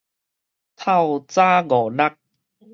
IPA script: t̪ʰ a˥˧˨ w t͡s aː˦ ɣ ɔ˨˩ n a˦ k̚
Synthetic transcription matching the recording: t̪ʰ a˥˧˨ w t͡s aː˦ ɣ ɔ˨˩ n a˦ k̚